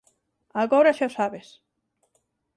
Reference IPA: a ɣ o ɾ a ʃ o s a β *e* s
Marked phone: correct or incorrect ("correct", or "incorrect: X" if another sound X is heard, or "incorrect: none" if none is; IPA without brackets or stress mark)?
correct